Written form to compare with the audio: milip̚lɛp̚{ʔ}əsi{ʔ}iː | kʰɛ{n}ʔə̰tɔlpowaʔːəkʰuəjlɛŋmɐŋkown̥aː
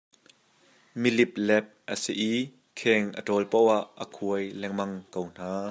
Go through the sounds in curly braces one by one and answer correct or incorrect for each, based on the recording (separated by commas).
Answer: correct, correct, incorrect